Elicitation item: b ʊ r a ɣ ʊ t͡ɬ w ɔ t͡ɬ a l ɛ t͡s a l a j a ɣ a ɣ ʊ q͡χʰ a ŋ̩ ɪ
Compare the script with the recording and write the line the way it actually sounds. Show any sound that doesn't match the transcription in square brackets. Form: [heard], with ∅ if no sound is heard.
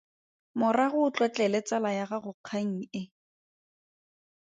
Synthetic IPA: [m] ʊ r a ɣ ʊ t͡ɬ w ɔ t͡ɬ [ɛ] l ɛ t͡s a l a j a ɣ a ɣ ʊ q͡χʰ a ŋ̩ ɪ

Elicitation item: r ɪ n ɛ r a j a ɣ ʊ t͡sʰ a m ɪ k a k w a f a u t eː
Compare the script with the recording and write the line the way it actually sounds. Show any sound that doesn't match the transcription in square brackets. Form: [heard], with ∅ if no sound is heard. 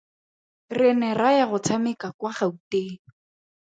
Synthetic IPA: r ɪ n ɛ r a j a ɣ ʊ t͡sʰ a m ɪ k a k w a [χ] a u t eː

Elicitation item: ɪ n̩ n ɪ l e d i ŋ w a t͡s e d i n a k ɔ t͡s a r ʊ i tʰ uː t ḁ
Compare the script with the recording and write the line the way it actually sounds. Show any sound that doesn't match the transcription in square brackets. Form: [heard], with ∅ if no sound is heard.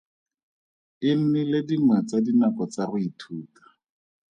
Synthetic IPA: ɪ n̩ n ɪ l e d i ŋ w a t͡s [a] d i n a k ɔ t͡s a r ʊ i tʰ uː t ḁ

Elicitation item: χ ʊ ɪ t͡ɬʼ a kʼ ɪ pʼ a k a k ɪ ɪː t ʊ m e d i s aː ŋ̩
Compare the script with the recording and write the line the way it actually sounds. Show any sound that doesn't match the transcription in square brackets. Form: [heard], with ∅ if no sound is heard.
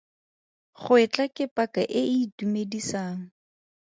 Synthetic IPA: χ ʊ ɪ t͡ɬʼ a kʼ ɪ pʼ a k a [ʔ] ɪ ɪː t [u] m e d i s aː ŋ̩

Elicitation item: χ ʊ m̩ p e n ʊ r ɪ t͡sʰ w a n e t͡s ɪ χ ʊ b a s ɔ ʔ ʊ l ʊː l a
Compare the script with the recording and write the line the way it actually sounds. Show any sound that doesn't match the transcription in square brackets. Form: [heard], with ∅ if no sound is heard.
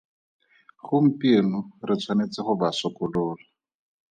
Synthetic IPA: χ ʊ m̩ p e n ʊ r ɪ t͡sʰ w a n e t͡s ɪ χ ʊ b a s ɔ [k] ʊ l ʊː l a

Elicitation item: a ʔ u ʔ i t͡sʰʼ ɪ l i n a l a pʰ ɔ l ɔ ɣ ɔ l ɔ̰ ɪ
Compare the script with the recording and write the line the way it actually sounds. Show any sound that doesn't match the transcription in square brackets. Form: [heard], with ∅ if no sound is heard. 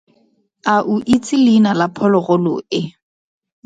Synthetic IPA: a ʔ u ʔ i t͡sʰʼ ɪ l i n a l a pʰ ɔ l ɔ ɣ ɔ l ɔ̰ ɪ

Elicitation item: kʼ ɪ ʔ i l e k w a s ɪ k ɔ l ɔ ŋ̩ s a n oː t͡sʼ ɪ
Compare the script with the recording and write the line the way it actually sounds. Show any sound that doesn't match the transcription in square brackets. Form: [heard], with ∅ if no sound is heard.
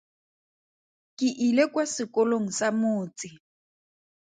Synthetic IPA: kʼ ɪ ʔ i l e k w a s ɪ k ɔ l [o] ŋ̩ s a [m] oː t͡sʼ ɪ

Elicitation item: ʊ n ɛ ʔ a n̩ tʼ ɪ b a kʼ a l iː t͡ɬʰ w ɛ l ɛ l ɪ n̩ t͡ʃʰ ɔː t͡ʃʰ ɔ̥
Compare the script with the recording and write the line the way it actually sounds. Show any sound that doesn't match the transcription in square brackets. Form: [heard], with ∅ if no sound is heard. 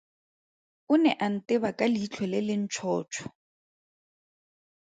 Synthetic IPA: ʊ n ɛ ʔ a n̩ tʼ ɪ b a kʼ a l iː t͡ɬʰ w ɛ l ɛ l ɪ n̩ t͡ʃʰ ɔː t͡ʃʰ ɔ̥

